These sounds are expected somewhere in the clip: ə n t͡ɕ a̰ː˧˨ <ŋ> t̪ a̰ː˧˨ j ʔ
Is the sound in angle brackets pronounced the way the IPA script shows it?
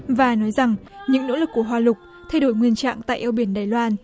yes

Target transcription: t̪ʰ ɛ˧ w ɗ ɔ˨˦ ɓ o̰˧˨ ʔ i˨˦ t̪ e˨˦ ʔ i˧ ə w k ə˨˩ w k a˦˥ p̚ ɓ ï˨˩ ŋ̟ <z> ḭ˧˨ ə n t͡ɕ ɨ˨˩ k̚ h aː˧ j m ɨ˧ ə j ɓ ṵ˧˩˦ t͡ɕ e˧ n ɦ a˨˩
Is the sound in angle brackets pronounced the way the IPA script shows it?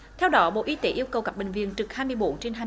no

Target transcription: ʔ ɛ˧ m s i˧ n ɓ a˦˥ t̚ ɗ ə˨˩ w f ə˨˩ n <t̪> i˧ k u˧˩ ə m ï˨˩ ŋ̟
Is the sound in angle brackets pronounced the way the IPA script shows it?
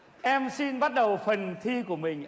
no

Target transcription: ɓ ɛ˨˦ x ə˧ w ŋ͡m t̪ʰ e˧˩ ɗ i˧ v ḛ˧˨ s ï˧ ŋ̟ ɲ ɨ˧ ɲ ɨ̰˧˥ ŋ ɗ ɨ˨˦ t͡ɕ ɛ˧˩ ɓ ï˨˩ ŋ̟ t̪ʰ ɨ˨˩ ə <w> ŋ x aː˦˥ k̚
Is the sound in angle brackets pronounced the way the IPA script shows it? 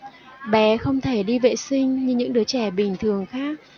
no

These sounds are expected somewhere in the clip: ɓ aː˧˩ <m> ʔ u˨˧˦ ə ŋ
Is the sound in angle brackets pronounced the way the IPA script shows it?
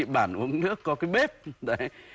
no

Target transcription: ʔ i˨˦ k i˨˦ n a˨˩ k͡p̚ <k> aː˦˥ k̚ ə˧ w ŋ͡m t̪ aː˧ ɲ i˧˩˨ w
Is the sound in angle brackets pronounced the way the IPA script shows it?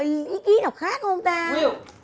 no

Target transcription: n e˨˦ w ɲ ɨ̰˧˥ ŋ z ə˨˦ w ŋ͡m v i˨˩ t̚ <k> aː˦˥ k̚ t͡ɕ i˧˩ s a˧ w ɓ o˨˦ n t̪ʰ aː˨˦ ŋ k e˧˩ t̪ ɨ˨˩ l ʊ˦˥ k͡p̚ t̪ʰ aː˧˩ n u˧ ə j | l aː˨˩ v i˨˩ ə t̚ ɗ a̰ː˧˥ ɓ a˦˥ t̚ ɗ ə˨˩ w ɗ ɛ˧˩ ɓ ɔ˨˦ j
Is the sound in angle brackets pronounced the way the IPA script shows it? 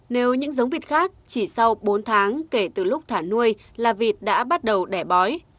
no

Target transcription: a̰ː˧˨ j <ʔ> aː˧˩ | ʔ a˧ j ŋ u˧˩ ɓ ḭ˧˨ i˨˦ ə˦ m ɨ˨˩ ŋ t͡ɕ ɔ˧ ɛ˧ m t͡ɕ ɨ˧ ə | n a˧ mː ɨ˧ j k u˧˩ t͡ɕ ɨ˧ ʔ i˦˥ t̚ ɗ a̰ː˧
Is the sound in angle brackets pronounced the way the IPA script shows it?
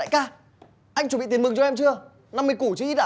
no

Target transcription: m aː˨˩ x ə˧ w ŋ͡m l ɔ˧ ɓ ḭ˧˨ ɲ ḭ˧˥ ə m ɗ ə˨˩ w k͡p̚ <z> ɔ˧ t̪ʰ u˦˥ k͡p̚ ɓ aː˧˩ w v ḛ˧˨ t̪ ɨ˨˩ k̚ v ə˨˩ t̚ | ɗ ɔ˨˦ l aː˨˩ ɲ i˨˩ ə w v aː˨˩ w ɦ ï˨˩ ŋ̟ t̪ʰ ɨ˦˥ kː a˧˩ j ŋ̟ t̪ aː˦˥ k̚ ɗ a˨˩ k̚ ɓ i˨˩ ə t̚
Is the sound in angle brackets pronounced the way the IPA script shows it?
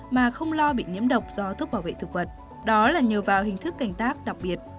yes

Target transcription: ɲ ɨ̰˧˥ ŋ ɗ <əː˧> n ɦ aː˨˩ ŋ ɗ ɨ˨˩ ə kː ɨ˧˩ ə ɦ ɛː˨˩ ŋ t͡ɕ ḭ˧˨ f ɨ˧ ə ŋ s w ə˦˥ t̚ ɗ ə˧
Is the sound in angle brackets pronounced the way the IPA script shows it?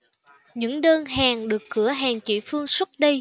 yes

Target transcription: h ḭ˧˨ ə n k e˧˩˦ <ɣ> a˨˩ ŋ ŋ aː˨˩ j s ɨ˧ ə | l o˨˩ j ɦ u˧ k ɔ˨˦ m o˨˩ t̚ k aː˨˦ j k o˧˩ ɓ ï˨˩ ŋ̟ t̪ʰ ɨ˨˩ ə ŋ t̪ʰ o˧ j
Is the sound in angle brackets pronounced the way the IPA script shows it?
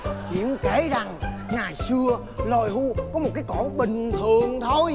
no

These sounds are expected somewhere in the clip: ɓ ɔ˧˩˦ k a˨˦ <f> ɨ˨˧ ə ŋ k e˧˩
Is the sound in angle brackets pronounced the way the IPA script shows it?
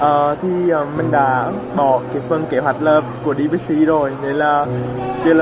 yes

